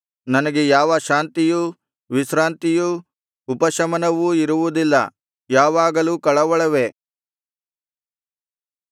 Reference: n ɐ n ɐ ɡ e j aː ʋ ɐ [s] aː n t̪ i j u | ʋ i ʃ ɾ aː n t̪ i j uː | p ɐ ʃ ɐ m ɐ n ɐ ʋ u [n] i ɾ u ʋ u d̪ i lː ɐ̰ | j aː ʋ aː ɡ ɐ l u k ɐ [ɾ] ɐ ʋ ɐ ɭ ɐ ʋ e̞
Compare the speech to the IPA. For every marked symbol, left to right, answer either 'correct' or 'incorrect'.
incorrect: ʃ, incorrect: none, incorrect: ɭ

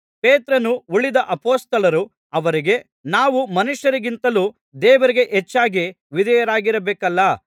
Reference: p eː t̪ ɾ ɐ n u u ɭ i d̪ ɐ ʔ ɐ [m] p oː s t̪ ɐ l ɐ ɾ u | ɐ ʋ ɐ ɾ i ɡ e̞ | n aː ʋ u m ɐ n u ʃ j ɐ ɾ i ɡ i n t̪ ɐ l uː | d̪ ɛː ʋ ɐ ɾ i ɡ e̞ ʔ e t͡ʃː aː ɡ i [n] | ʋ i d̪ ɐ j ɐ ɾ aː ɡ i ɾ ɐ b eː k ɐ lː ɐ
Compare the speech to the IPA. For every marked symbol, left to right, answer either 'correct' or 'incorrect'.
incorrect: none, incorrect: none

